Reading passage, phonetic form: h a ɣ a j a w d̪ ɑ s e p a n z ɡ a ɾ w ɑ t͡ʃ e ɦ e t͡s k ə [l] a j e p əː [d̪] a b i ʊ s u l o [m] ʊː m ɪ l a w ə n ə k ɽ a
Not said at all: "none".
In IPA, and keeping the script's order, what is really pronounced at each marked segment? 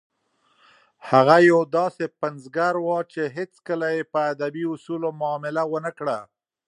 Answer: l, d̪, m

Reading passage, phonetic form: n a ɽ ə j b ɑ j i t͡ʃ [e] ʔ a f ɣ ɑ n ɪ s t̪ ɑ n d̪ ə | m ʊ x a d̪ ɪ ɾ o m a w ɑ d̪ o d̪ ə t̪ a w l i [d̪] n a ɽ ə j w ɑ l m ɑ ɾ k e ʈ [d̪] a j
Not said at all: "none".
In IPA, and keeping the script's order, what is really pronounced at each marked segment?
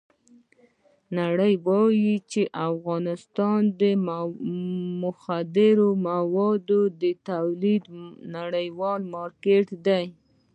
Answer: e, d̪, d̪

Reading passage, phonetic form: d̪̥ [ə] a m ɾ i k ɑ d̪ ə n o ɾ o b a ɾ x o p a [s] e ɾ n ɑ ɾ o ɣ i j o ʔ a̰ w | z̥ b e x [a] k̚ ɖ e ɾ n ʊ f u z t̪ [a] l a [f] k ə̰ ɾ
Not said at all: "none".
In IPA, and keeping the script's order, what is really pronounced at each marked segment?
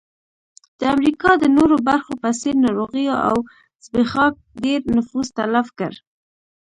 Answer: ə, s, ɑ, a, f

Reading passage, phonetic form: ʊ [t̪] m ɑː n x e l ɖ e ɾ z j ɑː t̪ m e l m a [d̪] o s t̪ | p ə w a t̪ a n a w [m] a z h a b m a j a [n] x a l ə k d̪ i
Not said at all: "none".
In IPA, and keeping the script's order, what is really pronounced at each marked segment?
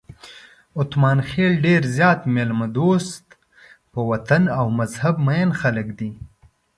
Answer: t̪, d̪, m, n

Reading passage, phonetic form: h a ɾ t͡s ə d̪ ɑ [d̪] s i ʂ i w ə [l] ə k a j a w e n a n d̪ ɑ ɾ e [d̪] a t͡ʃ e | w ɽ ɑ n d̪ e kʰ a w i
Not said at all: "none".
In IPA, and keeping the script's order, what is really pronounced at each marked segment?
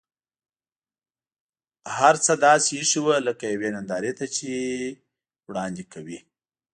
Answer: none, l, t̪

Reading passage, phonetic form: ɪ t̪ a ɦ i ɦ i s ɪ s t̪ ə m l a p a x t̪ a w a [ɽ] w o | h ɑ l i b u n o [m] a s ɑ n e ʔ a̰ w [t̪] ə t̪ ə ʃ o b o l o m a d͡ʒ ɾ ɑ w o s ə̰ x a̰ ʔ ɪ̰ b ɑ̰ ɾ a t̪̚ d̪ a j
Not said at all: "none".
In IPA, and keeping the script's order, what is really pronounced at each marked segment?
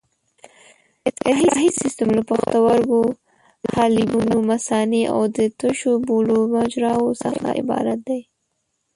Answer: ɾ, m, d̪

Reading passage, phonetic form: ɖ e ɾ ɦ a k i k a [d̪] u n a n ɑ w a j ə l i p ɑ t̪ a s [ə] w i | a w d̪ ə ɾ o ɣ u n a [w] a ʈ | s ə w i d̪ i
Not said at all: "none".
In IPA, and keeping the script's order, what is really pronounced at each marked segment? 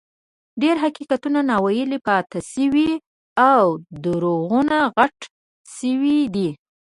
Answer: t̪, ə, ɣ

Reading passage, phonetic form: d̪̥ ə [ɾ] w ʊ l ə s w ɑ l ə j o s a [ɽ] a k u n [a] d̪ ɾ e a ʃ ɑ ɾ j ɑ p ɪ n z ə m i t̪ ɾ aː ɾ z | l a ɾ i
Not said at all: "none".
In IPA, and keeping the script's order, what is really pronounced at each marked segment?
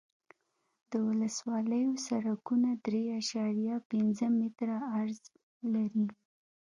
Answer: none, ɾ, a

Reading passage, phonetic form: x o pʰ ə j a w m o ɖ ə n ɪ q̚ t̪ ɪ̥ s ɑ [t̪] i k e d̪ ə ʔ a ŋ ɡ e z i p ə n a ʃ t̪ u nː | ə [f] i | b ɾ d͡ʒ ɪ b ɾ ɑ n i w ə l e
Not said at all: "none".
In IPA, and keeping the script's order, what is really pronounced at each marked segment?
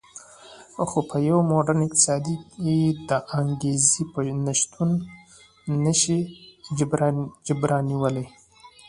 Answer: d̪, ʃ

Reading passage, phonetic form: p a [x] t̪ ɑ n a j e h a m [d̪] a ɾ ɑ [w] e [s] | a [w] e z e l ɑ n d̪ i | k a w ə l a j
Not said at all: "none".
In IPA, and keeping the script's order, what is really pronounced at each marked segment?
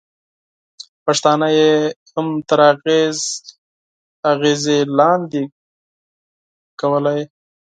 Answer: ʂ, t̪, ɣ, z, ɣ

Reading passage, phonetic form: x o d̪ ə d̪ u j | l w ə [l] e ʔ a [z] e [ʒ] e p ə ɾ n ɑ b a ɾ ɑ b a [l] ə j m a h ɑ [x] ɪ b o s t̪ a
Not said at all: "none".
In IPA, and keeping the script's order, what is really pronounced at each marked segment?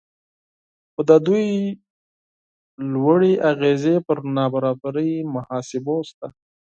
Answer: ɽ, ɣ, z, ɾ, s

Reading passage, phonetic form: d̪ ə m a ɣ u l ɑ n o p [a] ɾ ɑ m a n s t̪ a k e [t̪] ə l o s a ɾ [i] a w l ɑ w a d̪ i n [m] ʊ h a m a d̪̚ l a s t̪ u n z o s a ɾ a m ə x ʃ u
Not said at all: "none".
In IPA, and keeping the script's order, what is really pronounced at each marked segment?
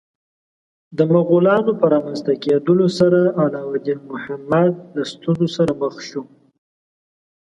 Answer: ə, d̪, a, m

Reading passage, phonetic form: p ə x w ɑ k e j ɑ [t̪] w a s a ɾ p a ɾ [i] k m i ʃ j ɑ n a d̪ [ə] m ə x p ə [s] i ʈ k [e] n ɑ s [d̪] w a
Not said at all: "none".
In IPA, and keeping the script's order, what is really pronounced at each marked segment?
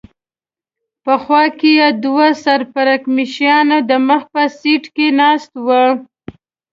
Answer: d̪, a, ə, s, e, t̪

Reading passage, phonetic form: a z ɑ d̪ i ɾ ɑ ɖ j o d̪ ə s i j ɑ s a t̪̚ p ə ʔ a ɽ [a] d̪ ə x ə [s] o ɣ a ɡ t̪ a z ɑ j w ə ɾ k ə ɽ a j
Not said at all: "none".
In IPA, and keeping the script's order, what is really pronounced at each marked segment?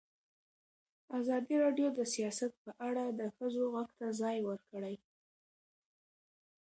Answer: a, z

